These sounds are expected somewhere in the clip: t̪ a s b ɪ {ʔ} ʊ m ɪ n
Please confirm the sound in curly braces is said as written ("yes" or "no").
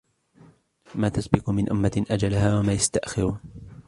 no